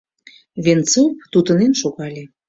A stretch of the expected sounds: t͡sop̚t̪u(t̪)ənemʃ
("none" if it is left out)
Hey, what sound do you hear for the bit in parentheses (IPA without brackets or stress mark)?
t̪